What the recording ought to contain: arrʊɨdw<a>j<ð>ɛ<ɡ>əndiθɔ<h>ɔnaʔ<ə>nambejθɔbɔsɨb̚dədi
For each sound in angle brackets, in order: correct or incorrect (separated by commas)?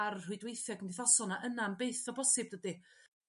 incorrect, incorrect, correct, incorrect, correct